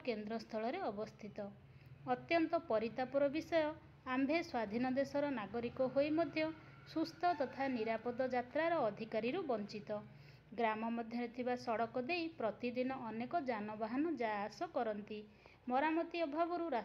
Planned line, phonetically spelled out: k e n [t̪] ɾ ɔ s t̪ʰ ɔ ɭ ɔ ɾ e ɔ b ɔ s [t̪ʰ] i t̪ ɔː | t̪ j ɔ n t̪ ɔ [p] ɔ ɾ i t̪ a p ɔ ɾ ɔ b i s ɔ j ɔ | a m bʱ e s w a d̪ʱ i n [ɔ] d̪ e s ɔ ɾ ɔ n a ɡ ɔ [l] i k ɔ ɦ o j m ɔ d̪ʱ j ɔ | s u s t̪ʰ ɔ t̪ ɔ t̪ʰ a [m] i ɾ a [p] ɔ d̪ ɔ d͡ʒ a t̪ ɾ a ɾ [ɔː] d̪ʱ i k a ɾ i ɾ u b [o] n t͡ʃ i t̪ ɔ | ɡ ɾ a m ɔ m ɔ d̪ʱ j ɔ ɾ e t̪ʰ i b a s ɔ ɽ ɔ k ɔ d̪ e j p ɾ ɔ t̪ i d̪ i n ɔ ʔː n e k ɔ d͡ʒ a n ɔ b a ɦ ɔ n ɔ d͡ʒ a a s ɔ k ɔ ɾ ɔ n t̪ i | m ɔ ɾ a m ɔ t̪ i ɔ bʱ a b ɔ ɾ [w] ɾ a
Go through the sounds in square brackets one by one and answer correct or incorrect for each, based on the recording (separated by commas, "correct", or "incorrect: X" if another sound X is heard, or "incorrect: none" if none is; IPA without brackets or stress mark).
incorrect: d̪, correct, correct, correct, incorrect: ɾ, incorrect: n, correct, correct, incorrect: ɔ, incorrect: u